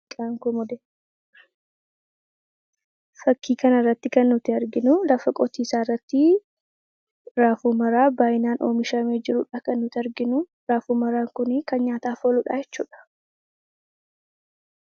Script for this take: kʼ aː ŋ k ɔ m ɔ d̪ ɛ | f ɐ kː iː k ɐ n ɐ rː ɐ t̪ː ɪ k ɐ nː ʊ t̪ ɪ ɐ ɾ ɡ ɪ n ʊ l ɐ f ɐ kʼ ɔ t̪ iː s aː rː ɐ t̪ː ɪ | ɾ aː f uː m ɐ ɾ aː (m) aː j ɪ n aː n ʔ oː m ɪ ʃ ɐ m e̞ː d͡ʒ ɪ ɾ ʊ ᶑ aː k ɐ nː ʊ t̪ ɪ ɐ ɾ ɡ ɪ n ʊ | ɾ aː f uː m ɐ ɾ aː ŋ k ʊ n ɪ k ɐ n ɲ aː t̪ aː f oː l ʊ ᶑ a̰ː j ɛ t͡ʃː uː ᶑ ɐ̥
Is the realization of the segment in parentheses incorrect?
yes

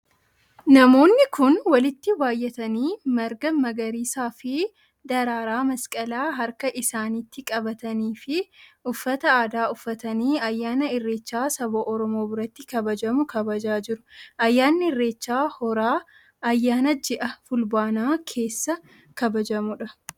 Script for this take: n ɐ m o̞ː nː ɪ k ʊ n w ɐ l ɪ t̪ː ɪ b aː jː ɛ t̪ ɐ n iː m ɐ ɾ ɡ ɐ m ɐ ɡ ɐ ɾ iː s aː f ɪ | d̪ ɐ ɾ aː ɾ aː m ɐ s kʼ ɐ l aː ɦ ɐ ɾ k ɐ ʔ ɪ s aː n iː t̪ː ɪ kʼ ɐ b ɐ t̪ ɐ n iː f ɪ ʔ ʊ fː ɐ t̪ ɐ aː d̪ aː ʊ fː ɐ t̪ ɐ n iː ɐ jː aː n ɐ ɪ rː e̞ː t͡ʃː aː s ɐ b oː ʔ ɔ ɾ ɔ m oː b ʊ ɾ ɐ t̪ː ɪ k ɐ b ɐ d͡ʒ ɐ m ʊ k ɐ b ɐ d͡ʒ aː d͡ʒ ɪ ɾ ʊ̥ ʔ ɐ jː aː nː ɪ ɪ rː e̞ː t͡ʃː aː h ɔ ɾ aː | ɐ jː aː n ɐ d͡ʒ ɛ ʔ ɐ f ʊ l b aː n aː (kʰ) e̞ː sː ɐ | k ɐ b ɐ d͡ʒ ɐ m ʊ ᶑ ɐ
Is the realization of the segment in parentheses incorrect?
no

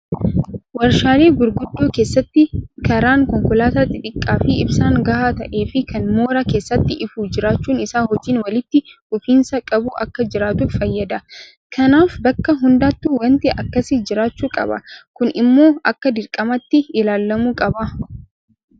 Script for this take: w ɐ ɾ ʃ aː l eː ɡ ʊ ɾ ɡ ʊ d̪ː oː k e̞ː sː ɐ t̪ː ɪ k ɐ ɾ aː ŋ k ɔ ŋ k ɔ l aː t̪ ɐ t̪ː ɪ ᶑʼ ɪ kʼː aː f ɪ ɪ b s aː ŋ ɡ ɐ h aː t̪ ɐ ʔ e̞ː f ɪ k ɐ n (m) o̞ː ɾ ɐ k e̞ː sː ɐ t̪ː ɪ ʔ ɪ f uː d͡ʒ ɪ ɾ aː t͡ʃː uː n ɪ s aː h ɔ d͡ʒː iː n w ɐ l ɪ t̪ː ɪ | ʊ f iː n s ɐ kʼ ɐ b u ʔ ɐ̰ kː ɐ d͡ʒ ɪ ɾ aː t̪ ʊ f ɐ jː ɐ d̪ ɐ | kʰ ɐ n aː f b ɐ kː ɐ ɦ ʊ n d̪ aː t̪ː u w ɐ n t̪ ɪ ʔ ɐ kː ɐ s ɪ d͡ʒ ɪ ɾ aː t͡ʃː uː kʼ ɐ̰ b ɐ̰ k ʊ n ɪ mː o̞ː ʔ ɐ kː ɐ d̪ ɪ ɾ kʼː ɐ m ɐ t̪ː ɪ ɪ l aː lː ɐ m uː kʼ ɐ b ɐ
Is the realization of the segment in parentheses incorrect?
no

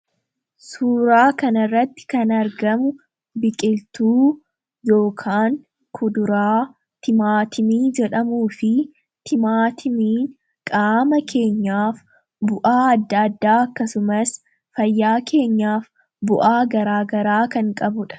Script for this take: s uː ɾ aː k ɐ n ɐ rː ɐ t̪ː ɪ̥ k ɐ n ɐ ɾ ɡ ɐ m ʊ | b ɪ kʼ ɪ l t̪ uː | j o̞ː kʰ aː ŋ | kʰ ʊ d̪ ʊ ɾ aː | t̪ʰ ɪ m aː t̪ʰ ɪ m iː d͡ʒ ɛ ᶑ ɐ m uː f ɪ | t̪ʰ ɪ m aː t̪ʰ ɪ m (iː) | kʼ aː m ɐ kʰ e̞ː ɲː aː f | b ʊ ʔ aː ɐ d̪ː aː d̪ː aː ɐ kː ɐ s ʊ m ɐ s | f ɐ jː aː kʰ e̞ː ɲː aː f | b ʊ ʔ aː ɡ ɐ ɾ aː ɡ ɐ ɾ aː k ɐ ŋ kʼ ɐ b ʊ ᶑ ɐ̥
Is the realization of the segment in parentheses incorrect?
no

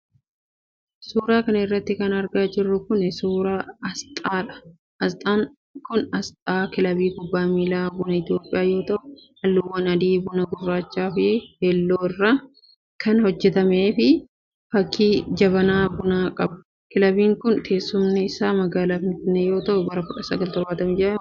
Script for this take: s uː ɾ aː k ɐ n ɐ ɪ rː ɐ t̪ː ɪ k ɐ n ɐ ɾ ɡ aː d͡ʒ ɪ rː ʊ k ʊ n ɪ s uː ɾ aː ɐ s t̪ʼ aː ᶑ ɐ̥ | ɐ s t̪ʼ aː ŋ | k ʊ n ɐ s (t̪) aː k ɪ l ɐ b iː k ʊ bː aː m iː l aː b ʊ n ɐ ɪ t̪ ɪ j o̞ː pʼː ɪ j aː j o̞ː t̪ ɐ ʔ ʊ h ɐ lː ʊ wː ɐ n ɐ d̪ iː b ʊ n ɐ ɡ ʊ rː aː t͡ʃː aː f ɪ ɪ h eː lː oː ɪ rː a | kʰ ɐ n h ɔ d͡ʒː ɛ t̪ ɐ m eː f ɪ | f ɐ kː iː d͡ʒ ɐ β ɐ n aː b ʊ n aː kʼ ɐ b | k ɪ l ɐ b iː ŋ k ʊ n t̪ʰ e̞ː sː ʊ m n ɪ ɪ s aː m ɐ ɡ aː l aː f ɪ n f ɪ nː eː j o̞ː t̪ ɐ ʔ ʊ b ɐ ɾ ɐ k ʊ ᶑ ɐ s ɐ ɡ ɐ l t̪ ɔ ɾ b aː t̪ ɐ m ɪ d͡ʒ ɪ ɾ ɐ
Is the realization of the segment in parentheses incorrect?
yes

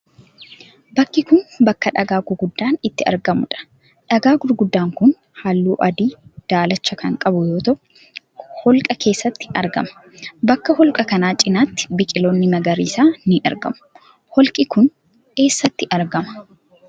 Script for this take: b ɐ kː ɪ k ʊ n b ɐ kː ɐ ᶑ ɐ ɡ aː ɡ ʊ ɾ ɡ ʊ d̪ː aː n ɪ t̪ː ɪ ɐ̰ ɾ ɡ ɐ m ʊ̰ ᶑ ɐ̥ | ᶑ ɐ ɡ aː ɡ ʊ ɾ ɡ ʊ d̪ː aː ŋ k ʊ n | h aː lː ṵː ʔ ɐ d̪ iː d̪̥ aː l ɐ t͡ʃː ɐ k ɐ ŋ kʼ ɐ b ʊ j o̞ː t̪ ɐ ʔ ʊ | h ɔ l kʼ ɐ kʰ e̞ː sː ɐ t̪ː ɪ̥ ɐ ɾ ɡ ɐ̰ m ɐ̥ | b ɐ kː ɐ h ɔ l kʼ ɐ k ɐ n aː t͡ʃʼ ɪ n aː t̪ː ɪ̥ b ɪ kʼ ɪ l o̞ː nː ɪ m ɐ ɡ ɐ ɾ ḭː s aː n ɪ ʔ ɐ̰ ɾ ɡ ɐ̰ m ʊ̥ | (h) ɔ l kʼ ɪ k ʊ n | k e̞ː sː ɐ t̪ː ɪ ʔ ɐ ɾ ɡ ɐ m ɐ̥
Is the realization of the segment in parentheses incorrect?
no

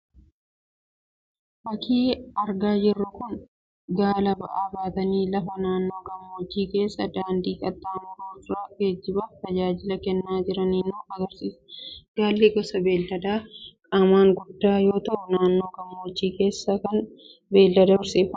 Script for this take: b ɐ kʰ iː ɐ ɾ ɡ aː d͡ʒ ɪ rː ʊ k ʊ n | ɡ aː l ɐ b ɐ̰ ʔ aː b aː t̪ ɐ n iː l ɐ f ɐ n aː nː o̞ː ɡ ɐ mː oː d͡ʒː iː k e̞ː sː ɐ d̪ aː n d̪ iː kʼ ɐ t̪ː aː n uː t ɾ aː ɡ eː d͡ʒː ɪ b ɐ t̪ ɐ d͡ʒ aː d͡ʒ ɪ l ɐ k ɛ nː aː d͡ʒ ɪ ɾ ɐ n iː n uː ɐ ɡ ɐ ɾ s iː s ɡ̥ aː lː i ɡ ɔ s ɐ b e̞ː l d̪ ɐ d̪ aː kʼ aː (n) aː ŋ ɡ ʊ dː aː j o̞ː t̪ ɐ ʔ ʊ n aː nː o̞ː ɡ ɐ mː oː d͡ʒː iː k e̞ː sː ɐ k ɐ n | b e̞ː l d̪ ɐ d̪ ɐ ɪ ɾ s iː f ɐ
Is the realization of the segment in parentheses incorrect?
yes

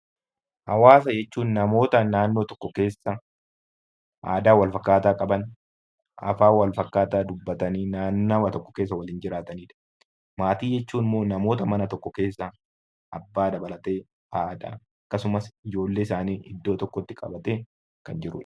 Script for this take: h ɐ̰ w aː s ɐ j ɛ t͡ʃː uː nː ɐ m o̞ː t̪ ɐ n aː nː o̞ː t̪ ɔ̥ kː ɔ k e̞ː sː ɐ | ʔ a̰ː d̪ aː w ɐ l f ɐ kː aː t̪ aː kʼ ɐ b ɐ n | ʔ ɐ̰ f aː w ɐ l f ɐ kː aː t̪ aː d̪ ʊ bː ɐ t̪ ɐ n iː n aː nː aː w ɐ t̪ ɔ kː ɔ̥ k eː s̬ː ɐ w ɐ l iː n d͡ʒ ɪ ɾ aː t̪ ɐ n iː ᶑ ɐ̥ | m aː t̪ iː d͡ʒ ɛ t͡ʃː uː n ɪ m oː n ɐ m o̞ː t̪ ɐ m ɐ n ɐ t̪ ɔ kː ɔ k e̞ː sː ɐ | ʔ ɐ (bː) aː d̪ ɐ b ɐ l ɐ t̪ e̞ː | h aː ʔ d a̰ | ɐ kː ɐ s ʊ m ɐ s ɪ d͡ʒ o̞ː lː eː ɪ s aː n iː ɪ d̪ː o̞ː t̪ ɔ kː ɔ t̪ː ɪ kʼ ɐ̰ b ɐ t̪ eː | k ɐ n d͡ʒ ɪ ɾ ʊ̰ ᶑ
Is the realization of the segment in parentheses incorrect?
no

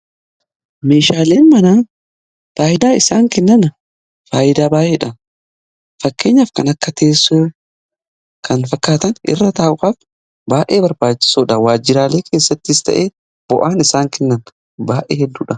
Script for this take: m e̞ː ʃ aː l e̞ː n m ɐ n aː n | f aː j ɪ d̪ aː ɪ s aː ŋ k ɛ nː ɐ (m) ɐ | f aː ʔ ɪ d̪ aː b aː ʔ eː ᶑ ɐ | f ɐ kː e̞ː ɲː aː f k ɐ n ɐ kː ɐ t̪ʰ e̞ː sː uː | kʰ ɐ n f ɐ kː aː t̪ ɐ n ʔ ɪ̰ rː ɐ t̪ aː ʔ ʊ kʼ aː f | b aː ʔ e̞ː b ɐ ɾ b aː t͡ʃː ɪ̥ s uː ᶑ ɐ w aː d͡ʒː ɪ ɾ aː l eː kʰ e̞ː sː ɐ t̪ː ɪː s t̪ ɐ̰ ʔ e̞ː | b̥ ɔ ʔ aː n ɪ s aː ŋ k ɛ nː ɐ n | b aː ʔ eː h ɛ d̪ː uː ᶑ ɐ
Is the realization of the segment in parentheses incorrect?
yes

